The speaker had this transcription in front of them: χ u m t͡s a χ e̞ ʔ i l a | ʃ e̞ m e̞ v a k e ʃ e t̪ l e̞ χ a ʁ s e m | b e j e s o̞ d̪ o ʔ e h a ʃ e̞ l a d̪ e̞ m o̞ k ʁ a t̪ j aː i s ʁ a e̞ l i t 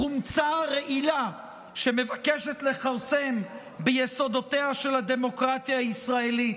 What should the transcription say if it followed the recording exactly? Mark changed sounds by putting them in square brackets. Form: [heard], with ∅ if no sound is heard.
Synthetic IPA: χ u m t͡s a [ʁ] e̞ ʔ i l a | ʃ e̞ m e̞ v a k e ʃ e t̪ l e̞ χ a ʁ s e m | b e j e s o̞ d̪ o [t] e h a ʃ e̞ l a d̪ e̞ m o̞ k ʁ a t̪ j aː i s ʁ a e̞ l i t